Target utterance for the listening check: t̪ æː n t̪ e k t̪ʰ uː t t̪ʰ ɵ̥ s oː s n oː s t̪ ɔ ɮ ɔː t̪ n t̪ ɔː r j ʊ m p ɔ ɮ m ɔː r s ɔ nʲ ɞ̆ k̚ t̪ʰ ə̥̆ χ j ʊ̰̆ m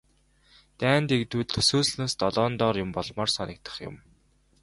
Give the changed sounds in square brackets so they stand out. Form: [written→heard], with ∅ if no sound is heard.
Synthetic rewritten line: t̪ æː n t̪ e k [t̪ʰ→t̪] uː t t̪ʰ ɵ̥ s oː s n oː s t̪ ɔ ɮ ɔː [t̪→∅] n t̪ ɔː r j ʊ m p ɔ ɮ m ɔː r s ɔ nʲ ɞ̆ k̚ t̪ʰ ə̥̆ χ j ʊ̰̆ m